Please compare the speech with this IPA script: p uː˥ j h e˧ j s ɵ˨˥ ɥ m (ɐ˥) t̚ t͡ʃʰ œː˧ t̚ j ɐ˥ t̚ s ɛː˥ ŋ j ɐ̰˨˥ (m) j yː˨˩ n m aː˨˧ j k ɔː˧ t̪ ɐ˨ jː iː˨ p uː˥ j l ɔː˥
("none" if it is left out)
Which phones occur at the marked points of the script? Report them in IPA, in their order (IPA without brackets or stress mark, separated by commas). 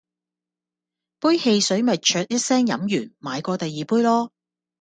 ɐ˨, m